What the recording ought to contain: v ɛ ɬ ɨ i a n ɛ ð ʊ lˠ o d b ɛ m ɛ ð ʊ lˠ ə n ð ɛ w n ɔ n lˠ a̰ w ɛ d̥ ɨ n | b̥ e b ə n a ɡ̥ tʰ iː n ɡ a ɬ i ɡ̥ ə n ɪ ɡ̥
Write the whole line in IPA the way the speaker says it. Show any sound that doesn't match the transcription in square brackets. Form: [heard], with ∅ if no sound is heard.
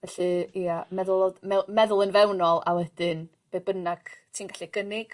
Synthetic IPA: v ɛ ɬ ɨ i a [m] ɛ ð ʊ lˠ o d [m] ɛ m ɛ ð ʊ lˠ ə n [v] ɛ w n ɔ [∅] lˠ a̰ w ɛ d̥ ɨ n | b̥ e b ə n a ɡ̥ tʰ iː n ɡ a ɬ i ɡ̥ ə n ɪ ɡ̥

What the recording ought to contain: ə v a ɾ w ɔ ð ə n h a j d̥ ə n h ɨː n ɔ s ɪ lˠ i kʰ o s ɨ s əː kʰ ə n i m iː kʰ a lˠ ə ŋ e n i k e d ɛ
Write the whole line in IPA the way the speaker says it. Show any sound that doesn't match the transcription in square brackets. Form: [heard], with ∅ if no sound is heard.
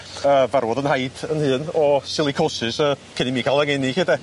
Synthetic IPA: ə v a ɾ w ɔ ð ə n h a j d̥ ə n h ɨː n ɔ s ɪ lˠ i kʰ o s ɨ s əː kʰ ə n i m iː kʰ a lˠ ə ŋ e n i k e d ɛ

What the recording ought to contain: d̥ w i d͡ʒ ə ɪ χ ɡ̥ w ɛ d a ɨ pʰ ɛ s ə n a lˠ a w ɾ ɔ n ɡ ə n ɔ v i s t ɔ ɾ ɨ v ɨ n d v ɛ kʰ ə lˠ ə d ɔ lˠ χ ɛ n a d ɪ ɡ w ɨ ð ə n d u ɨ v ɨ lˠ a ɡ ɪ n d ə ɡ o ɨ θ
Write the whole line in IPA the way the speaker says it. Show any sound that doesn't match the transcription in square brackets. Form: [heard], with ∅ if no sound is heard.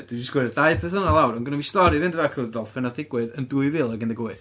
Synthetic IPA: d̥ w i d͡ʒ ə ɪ [s] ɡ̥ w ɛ d a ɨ pʰ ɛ [θ] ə n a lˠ a w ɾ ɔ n ɡ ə n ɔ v i s t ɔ ɾ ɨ v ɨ n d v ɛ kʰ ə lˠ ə d ɔ lˠ [f] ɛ n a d ɪ ɡ w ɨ ð ə n d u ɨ v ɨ lˠ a ɡ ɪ n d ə ɡ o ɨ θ

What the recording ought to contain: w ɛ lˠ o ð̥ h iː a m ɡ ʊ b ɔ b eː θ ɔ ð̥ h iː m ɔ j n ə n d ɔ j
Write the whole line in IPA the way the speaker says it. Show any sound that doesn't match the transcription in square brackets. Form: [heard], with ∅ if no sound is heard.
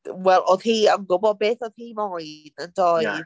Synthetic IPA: w ɛ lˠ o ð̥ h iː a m ɡ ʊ b ɔ b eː θ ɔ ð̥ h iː m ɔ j n ə n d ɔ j

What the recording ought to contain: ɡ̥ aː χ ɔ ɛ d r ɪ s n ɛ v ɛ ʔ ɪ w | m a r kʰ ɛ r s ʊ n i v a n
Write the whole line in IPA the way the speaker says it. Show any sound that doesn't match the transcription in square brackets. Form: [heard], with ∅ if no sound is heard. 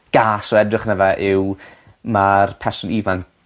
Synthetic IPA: ɡ̥ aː [s] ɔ ɛ d r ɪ [χ] n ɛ v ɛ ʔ ɪ w | m a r [pʰ] ɛ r s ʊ n i v a n

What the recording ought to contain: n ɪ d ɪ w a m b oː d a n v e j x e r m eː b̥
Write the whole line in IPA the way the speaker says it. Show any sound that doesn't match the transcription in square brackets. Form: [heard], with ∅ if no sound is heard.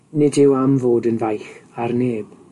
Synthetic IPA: n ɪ d ɪ w a m [v] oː d [ə] n v [a] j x [a] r [n] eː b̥

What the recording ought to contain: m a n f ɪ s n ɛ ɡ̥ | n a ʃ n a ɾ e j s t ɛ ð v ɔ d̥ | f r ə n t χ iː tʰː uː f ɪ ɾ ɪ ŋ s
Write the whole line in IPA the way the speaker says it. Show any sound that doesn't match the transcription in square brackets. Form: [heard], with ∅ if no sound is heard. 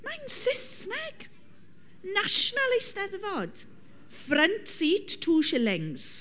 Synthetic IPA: m a n [s] ɪ s n ɛ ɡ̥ | n a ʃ n a [l] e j s t ɛ ð v ɔ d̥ | f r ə n t [s] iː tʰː uː [ʃ] ɪ [l] ɪ ŋ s

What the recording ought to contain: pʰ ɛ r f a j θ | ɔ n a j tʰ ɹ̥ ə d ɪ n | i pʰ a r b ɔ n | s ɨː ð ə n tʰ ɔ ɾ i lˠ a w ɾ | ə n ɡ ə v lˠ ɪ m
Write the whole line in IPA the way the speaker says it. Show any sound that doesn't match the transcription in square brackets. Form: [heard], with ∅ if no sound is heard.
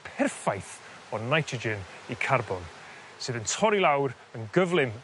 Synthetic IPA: pʰ ɛ r f a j θ | ɔ n a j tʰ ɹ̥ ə [d͡ʒ] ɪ n | i [kʰ] a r b ɔ n | s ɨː ð ə n tʰ ɔ ɾ i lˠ a w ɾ | ə n ɡ ə v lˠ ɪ m

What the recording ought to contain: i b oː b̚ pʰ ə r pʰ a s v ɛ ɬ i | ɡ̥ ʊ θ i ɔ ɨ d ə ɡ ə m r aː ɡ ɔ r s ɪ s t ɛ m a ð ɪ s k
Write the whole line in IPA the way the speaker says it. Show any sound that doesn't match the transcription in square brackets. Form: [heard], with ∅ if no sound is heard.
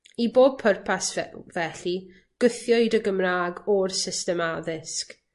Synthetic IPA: i b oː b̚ pʰ ə r pʰ a s v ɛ ɬ i | ɡ̥ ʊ θ [j] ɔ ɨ d ə ɡ ə m r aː ɡ ɔ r s ɪ s t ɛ m a ð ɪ s k

